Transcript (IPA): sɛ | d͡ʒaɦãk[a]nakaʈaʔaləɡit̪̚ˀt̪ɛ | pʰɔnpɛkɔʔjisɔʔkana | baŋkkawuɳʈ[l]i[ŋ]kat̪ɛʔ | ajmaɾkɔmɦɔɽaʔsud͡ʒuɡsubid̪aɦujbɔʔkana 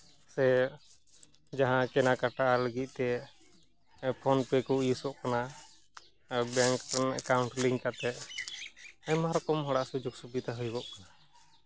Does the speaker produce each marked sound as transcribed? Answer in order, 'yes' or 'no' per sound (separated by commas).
no, yes, yes